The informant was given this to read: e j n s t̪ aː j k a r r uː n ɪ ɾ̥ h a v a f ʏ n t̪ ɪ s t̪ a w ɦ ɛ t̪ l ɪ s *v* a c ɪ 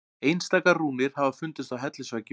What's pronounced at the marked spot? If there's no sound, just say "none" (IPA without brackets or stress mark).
v